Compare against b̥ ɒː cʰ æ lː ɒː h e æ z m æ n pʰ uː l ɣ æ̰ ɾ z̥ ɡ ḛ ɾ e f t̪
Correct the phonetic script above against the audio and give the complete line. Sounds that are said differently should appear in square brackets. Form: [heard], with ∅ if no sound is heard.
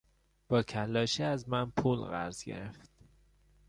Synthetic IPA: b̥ ɒː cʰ æ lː ɒː [ʃ] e æ z m æ n pʰ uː l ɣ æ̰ ɾ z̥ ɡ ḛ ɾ e f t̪